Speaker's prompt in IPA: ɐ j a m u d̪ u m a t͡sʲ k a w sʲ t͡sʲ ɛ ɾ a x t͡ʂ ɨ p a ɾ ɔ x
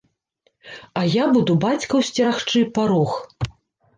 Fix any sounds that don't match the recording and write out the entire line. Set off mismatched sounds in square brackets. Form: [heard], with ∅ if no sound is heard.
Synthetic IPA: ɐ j a [b] u d̪ u [b] a t͡sʲ k [ɐ] w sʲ t͡sʲ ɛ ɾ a x t͡ʂ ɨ p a ɾ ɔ x